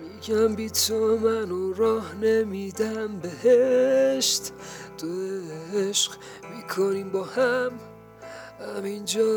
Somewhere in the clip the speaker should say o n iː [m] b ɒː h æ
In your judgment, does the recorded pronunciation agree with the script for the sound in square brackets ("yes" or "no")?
yes